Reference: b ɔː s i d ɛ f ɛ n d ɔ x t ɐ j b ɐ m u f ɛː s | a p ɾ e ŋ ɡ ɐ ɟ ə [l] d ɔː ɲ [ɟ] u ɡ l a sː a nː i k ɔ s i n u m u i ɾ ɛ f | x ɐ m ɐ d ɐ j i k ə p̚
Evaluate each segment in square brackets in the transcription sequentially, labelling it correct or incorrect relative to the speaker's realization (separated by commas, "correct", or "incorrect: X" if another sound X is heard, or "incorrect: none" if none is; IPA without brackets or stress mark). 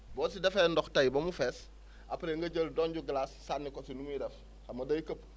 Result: correct, correct